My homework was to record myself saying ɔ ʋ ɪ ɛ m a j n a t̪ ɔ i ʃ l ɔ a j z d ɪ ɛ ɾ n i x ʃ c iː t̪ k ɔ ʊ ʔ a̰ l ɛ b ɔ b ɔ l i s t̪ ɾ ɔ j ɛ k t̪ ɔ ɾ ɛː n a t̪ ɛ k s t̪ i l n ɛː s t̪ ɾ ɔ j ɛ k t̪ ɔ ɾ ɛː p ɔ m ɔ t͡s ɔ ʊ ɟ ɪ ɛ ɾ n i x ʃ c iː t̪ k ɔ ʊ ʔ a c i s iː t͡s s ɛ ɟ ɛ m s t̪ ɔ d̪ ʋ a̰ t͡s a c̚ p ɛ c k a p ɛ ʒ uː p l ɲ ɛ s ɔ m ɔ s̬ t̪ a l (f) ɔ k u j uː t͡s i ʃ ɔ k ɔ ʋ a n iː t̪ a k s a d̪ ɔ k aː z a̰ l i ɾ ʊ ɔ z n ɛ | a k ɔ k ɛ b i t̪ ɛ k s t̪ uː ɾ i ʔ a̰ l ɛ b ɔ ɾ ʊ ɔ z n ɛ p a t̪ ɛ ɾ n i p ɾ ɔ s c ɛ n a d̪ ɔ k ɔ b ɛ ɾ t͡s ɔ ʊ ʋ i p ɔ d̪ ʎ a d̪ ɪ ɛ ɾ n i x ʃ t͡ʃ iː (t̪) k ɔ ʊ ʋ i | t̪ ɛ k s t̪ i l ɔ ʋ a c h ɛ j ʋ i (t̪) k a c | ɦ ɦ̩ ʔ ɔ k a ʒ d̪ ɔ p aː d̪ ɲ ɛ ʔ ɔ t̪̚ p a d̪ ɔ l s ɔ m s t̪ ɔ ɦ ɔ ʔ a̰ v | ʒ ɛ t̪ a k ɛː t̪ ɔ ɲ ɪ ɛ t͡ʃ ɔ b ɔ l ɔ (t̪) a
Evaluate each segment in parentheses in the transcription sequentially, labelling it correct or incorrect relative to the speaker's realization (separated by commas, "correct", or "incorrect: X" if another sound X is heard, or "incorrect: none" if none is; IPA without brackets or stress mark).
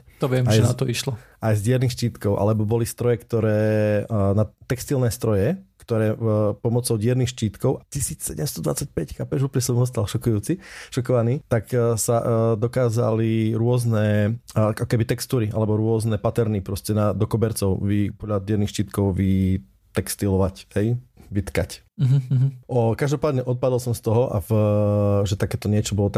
incorrect: ʃ, correct, correct, correct